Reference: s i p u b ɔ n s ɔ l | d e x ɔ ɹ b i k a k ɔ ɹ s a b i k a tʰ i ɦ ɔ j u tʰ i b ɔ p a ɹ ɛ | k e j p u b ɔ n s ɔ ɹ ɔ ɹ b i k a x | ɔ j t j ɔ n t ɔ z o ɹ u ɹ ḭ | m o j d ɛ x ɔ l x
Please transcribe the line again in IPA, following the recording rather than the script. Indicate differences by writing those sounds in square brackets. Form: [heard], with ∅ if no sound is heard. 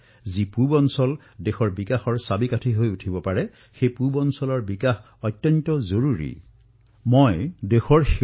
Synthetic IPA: [z] i p u b ɔ n s ɔ l | d e x ɔ ɹ b i k a [x] ɔ ɹ s a b i k a tʰ i ɦ [o] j u tʰ i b ɔ p a ɹ ɛ | [x] e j p u b ɔ n s ɔ [l] ɔ ɹ b i k a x | ɔ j t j ɔ n t ɔ z o ɹ u ɹ ḭ | m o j d [e] x ɔ [ɹ] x